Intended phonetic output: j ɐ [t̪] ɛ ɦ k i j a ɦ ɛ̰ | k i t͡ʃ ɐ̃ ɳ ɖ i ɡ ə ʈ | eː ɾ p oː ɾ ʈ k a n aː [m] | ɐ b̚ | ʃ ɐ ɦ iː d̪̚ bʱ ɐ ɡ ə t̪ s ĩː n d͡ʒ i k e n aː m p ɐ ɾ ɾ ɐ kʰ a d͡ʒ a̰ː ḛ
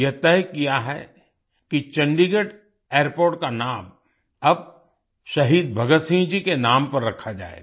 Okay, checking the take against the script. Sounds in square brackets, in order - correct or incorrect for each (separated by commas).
correct, correct